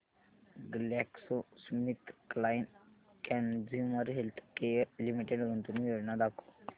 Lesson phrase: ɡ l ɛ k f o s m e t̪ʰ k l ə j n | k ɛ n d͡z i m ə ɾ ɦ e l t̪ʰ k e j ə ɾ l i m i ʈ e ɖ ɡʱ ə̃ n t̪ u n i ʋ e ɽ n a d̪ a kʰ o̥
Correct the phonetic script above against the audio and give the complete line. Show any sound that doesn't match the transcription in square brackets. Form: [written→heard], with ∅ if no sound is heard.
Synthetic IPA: ɡ l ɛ k [f→s] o s m [e→i] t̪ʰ k l [ə→a] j n | k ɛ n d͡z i m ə ɾ ɦ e l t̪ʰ k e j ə ɾ l i m i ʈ e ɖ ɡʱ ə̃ n t̪ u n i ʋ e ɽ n a d̪ a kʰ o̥